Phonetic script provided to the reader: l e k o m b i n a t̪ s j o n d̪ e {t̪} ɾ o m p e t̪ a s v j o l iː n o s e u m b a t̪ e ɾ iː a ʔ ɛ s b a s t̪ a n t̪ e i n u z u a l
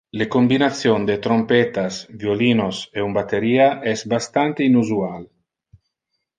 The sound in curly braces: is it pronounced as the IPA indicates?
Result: yes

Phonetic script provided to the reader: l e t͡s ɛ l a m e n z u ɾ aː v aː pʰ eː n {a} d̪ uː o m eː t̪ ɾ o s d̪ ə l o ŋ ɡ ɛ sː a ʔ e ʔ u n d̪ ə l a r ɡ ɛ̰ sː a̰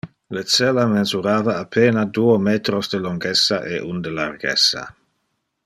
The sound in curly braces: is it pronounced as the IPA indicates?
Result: yes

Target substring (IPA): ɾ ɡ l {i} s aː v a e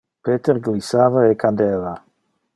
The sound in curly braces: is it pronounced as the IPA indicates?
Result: yes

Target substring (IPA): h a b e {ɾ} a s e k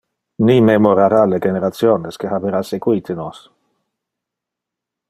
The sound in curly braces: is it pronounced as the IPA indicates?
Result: yes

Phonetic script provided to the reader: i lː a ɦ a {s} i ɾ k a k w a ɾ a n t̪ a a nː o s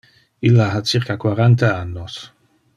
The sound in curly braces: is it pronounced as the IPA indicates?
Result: no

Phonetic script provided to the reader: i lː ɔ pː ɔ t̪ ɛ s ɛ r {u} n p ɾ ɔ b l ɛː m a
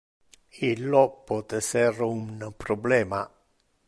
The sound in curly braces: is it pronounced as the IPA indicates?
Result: yes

